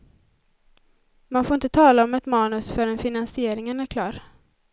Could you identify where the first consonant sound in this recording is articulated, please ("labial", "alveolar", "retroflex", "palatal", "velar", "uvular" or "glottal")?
labial